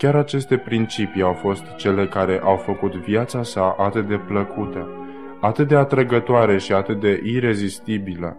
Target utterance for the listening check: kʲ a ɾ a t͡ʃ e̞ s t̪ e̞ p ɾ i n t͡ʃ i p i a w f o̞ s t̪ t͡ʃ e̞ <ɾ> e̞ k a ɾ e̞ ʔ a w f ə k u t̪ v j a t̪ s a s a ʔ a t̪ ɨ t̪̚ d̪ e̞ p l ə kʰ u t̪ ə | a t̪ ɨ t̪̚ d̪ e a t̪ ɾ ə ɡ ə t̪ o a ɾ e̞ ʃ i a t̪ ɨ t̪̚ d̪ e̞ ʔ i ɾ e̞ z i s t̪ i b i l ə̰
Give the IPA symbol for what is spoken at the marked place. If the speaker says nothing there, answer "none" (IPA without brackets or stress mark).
l